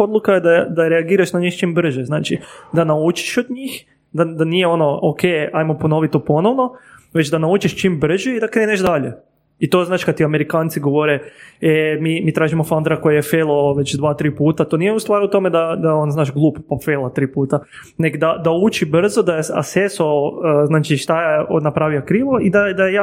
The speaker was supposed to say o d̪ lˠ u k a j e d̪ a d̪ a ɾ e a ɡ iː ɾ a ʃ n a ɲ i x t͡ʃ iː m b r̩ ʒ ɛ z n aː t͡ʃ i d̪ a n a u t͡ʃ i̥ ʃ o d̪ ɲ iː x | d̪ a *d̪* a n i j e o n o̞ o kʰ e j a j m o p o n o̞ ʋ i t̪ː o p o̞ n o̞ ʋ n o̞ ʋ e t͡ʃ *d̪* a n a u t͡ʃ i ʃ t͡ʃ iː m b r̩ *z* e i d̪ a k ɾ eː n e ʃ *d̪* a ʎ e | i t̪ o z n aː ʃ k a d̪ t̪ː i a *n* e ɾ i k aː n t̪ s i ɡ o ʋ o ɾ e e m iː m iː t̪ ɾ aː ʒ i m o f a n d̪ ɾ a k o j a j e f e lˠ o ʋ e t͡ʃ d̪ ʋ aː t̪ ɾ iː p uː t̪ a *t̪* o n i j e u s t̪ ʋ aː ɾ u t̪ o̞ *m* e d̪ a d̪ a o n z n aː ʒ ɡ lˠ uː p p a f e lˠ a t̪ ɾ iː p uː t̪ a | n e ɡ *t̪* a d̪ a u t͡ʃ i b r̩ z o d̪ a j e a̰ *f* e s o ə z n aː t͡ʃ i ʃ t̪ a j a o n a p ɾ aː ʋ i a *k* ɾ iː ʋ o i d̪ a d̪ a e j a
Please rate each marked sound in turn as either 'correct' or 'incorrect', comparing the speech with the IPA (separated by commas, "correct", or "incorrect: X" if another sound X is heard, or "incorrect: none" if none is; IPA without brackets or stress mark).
correct, correct, incorrect: ʒ, correct, incorrect: m, correct, correct, incorrect: d̪, incorrect: s, correct